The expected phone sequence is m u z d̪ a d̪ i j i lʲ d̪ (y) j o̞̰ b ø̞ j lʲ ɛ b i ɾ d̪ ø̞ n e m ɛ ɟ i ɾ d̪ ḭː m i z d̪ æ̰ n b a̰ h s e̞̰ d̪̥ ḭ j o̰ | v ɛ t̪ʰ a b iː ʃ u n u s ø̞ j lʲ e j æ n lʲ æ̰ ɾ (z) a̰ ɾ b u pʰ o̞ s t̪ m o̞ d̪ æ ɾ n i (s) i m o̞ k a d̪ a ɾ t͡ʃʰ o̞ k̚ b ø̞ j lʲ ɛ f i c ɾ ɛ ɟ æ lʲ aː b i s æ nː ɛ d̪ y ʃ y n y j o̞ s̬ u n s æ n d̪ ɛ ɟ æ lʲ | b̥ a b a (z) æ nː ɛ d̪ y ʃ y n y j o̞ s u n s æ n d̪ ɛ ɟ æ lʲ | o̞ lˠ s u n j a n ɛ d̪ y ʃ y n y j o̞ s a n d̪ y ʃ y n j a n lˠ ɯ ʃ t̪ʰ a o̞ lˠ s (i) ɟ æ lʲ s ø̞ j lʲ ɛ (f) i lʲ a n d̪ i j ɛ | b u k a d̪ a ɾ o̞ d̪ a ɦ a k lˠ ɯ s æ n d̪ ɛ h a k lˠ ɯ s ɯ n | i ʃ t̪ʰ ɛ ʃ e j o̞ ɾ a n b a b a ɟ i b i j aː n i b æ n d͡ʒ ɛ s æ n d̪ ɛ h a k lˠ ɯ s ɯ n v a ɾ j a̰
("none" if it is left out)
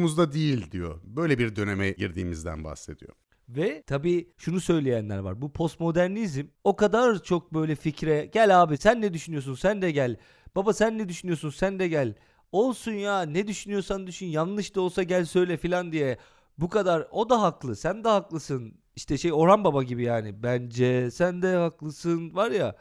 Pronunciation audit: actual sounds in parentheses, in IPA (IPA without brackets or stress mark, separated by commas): i, v, z, s, a, f